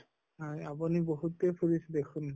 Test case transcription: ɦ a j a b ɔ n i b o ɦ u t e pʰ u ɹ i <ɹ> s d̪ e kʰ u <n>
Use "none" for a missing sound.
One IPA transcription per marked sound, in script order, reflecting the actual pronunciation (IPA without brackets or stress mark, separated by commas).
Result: none, n